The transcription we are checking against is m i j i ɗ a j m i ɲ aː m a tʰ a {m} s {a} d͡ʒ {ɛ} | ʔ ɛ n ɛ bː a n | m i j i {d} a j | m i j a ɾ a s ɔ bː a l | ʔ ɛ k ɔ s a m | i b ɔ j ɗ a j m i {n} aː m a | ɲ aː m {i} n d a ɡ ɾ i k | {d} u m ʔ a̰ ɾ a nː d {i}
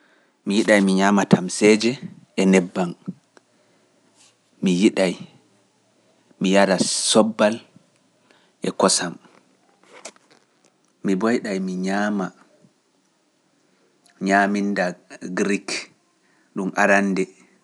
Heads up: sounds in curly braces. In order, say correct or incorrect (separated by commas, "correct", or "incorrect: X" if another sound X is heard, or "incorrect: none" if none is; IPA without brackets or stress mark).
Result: correct, incorrect: ɛ, correct, incorrect: ɗ, incorrect: ɲ, correct, incorrect: ɗ, incorrect: ɛ